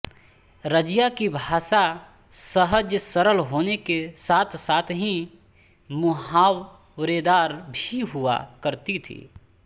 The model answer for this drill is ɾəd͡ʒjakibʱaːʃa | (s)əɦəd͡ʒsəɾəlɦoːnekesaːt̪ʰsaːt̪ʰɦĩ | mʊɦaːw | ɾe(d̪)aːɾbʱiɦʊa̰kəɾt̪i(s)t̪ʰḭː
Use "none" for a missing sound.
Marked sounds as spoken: s, d̪, none

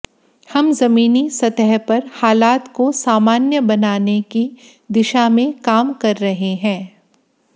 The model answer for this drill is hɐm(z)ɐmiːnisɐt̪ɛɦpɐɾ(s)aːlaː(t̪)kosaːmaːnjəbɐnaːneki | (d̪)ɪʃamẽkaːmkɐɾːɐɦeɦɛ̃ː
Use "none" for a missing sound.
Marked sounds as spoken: z, h, t̪, d̪

